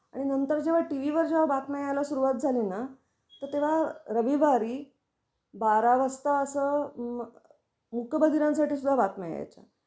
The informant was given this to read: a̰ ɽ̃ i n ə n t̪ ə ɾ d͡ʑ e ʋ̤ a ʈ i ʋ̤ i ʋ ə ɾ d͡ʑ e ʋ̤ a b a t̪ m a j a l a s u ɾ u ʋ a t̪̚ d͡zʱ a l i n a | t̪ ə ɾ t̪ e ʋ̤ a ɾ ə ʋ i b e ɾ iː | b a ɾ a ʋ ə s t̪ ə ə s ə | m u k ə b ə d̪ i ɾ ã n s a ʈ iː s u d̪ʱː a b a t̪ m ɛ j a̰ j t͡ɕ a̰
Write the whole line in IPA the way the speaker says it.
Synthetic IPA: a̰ ɽ̃ i n ə n t̪ ə ɾ d͡ʑ e ʋ̤ a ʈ i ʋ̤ i ʋ ə ɾ d͡ʑ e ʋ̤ a b a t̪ m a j a l a s u ɾ u ʋ a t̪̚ d͡zʱ a l i n a | t̪ ə ɾ t̪ e ʋ̤ a ɾ ə ʋ i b a ɾ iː | b a ɾ a ʋ ə s t̪ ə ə s ə | m u k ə b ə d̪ i ɾ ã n s a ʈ iː s u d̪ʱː a b a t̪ m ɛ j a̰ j t͡ɕ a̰